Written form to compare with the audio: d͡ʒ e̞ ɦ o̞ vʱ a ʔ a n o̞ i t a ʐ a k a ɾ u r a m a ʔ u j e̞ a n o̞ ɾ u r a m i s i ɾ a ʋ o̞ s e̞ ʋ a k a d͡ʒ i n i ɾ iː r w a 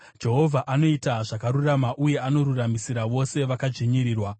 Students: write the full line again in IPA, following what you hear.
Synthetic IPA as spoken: d͡ʒ e̞ ɦ o̞ vʱ a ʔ a n o̞ i t a ʐ a k a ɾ u r a m a ʔ u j e̞ a n o̞ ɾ u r a m i s i ɾ a ʋ o̞ s e̞ ʋ a k a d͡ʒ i ɲ i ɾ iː r w a

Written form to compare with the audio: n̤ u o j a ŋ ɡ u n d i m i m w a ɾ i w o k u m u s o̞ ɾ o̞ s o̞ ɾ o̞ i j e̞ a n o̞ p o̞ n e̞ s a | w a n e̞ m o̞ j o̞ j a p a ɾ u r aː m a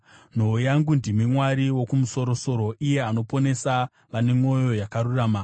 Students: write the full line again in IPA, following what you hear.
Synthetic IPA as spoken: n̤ o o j a ŋ ɡ u n d i m i m w a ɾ i w o k u m u s o̞ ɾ o̞ s o̞ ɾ o̞ i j e̞ a n o̞ p o̞ n e̞ s a | ʋ a n e̞ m o̞ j o̞ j a k a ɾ u r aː m a

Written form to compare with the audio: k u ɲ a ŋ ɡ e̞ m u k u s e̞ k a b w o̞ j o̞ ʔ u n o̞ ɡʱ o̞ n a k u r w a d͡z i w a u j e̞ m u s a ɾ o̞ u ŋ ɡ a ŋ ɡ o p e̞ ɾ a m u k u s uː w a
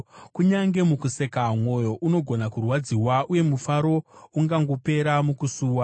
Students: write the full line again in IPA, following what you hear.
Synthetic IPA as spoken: k u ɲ a ŋ ɡ e̞ m u k u s e̞ k a m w o̞ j o̞ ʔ u n o̞ ɡʱ o̞ n a k u r w a d͡z i w a u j e̞ m u f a ɾ o̞ u ŋ ɡ a ŋ ɡ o p e̞ ɾ a m u k u s uː w a

